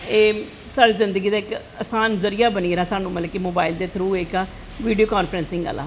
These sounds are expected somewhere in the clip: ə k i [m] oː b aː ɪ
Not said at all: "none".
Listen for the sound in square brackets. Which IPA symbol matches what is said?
m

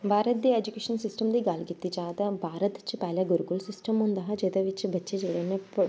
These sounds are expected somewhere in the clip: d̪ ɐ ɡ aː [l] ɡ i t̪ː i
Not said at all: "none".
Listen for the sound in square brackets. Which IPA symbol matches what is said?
l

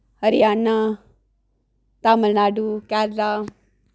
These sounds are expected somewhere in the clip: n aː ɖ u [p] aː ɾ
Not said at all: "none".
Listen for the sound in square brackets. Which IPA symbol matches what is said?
k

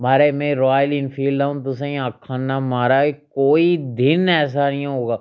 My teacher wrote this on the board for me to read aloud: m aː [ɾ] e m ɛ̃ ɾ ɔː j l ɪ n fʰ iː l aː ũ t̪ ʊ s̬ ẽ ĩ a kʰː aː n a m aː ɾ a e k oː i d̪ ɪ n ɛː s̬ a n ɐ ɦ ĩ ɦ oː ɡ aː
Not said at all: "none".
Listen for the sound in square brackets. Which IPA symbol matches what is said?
ɾ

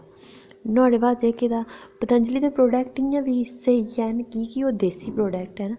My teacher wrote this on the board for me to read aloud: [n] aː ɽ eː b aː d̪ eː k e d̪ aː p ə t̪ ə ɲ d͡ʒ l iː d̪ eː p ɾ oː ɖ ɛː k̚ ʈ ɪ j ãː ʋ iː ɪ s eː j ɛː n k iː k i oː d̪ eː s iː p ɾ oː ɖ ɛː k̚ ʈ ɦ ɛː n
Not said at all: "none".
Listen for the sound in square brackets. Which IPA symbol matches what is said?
n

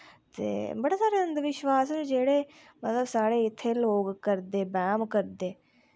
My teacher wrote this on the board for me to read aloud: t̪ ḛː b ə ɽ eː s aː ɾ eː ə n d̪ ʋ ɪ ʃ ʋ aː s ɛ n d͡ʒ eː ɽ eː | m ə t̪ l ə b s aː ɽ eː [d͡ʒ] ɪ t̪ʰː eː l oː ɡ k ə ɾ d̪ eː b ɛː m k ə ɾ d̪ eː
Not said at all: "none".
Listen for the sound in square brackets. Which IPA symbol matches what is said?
none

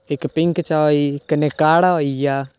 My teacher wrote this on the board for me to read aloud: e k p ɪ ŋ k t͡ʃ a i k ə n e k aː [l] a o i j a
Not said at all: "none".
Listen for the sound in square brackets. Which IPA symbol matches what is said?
ɽ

